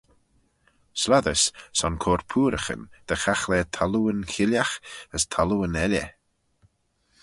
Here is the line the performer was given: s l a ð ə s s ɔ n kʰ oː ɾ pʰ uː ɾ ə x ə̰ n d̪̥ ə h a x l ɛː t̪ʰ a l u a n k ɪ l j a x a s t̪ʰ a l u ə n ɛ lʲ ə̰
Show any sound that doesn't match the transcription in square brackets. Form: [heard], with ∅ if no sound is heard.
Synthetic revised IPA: s l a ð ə s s ɔ n kʰ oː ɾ pʰ uː ɾ ə x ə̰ n d̪̥ ə [x] a x l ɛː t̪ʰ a l u [ə] n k ɪ l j a x [ə] s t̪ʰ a l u ə n ɛ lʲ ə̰